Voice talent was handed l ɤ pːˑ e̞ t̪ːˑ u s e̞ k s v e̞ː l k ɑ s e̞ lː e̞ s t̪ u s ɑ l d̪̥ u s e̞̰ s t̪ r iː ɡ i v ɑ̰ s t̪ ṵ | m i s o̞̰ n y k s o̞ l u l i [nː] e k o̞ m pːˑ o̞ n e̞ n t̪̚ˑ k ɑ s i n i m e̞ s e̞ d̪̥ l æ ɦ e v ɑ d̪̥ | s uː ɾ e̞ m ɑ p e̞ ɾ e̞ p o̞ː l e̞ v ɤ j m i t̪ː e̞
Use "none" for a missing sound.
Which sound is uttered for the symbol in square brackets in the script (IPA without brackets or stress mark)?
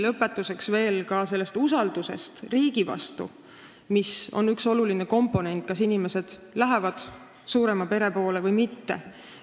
n